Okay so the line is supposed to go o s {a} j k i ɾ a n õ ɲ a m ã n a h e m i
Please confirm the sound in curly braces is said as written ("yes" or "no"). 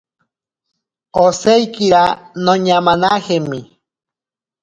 no